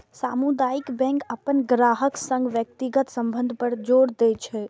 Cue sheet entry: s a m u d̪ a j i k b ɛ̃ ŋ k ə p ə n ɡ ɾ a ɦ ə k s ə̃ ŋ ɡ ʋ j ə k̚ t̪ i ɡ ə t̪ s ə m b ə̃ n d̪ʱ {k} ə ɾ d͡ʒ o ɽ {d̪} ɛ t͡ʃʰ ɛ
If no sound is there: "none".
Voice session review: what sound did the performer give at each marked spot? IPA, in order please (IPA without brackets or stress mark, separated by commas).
p, d̪